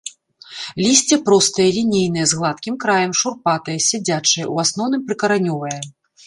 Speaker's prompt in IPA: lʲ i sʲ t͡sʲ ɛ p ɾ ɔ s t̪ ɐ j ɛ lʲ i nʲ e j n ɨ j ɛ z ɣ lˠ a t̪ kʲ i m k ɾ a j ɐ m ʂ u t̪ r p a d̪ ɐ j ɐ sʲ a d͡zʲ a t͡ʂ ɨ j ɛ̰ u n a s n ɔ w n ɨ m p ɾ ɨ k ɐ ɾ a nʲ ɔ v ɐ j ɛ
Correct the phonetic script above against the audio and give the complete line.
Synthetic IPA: lʲ i sʲ t͡sʲ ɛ p ɾ ɔ s t̪ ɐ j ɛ lʲ i nʲ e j n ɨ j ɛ z ɣ lˠ a t̪ kʲ i m k ɾ a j ɐ m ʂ u r p a t̪ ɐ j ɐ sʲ a d͡zʲ a t͡ʂ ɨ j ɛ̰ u a s n ɔ w n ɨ m p ɾ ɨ k ɐ ɾ a nʲ ɔ v ɐ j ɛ